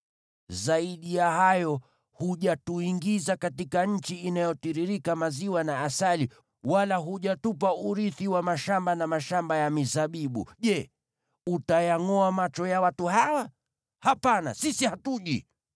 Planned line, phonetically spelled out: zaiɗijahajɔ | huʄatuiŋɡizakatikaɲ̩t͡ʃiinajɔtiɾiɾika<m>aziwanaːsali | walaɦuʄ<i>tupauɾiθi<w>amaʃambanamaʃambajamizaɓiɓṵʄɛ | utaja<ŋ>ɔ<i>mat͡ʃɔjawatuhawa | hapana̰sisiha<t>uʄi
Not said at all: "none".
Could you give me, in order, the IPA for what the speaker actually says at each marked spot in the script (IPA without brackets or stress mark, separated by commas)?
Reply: m, a, w, ŋ, a, t